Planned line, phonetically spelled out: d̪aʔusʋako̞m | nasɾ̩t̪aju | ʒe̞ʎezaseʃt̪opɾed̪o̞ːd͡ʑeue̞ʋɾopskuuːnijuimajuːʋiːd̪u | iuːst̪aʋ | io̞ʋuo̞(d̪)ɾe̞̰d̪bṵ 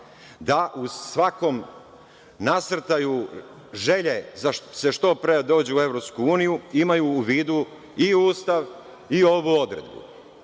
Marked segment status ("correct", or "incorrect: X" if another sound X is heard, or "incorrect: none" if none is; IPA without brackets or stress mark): correct